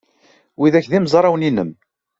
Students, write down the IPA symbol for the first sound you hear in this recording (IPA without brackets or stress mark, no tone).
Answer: w